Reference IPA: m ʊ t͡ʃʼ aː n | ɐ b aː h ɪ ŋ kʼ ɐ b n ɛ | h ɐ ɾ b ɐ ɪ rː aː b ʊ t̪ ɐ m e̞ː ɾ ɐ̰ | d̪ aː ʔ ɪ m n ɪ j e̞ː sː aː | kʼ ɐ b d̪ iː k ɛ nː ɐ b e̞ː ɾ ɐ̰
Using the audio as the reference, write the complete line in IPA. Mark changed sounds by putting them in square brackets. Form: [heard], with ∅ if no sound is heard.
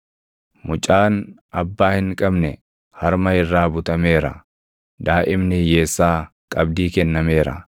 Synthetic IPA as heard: m ʊ t͡ʃʼ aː n | ɐ [bː] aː h ɪ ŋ kʼ ɐ b n ɛ | h ɐ ɾ [m] ɐ ɪ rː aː b ʊ t̪ ɐ m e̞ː ɾ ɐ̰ | d̪ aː ʔ ɪ m n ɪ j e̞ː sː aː | kʼ ɐ b d̪ iː k ɛ nː ɐ [m] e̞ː ɾ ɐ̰